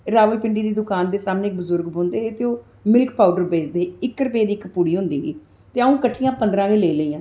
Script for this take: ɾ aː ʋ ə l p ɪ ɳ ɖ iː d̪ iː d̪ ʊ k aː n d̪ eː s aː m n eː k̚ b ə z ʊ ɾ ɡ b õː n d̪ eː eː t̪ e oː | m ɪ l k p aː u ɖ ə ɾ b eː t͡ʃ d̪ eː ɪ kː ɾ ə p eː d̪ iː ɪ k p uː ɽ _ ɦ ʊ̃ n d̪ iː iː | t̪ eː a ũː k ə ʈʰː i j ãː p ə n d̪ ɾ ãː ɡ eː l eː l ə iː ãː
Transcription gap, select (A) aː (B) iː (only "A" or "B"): B